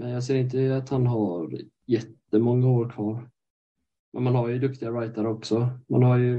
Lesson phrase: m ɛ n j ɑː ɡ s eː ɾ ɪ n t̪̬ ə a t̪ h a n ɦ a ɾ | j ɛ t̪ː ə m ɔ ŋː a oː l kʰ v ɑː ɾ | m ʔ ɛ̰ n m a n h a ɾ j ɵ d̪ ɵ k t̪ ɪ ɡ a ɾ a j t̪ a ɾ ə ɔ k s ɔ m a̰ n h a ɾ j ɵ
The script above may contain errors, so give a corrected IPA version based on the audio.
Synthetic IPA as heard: m ɛ n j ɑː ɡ s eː ɾ ɪ n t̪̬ ə a t̪ h a n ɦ a ɾ | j ɛ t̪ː ə m ɔ ŋː a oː ɾ kʰ v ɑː ɾ | m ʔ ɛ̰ n m a n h a ɾ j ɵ d̪ ɵ k t̪ ɪ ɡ a ɾ a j t̪ a ɾ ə ɔ k s ɔ m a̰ n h a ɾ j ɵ